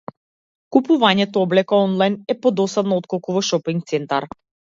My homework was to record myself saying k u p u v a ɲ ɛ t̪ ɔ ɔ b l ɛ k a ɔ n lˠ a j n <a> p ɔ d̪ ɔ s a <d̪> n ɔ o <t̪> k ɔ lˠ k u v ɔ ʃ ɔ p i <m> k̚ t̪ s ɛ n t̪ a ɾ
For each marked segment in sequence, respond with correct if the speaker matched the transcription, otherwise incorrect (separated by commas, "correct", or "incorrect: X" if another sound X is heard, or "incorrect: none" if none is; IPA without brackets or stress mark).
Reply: incorrect: ɛ, correct, correct, incorrect: ŋ